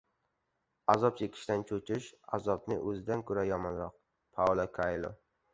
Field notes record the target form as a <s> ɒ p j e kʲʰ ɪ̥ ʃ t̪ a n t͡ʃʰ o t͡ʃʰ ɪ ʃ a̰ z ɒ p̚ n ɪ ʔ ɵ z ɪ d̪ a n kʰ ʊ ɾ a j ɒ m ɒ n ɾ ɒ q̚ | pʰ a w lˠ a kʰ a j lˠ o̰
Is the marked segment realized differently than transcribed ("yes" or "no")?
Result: yes